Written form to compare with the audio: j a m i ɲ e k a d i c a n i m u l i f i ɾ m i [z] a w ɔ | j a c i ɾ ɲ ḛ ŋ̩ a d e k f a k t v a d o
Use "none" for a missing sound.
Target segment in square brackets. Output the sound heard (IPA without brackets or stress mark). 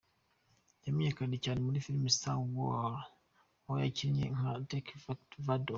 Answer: s